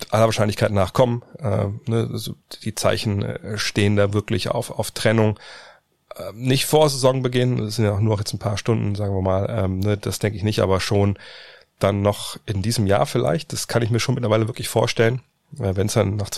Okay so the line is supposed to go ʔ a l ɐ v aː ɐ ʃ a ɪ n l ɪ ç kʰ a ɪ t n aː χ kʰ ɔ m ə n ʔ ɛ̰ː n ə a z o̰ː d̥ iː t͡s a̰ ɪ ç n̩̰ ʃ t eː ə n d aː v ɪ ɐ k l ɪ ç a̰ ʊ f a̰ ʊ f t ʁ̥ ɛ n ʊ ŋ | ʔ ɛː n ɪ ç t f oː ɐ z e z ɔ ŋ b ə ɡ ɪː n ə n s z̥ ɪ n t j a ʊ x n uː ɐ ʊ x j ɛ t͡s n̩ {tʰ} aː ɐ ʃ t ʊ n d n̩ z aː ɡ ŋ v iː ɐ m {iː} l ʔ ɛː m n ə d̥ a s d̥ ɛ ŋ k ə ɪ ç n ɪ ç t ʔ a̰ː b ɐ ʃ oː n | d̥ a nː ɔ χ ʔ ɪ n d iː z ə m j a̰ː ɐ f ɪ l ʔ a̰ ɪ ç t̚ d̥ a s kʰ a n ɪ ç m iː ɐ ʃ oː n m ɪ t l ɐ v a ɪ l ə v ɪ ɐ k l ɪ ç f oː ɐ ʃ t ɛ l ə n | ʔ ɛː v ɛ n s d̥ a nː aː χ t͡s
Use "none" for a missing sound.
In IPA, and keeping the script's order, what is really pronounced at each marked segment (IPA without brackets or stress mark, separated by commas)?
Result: pʰ, aː